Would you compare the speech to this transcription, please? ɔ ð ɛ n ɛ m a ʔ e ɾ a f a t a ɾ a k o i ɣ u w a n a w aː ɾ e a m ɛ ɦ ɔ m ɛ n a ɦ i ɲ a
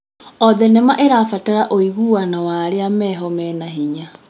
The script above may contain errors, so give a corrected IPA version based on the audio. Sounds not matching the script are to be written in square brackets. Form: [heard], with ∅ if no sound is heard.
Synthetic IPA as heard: ɔ ð ɛ n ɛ m a ʔ e ɾ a f a t a ɾ a [ʔ] o i ɣ u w a n a w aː ɾ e a m ɛ ɦ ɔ m ɛ n a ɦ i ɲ a

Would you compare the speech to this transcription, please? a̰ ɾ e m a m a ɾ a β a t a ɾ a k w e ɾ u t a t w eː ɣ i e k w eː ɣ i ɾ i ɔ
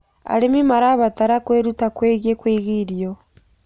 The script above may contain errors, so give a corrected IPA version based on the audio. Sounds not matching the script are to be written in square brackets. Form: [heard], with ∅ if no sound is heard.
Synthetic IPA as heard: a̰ ɾ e m [i] m a ɾ a β a t a ɾ a k w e ɾ u t a [k] w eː ɣ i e k w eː ɣ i ɾ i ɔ

